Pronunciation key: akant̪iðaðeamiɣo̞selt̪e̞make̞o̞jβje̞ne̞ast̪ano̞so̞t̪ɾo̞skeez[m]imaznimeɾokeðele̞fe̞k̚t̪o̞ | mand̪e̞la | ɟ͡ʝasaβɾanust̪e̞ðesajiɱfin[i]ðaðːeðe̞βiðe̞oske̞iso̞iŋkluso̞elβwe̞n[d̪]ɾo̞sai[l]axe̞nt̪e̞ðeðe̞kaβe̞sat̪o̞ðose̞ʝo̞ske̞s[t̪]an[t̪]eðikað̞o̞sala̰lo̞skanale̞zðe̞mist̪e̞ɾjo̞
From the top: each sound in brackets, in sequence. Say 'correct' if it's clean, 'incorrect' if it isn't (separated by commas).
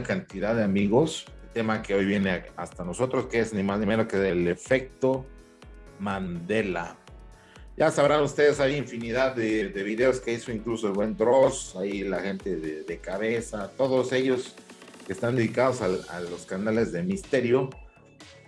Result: incorrect, correct, correct, correct, correct, incorrect